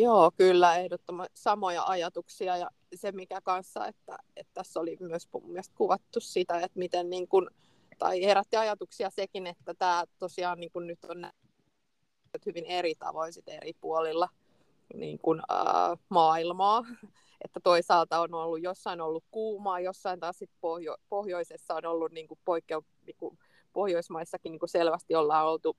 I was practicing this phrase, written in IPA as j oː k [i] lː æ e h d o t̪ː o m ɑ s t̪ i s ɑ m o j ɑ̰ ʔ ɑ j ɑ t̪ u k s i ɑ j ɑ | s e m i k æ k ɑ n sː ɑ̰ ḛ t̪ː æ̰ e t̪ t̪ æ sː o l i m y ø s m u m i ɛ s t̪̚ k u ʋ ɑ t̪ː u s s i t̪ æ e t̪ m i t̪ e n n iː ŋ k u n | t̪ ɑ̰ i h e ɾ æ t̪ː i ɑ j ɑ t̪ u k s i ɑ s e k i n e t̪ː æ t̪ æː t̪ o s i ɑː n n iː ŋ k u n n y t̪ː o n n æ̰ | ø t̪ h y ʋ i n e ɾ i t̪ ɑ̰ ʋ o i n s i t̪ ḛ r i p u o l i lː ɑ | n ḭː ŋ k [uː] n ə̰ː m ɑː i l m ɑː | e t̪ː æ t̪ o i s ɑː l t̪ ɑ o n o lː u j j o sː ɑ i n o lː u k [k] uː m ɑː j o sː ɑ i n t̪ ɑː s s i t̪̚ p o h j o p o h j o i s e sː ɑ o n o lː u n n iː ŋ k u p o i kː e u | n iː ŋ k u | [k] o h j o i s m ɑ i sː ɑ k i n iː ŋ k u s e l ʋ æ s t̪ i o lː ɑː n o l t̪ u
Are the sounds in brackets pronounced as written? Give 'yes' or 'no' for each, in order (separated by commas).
no, no, yes, no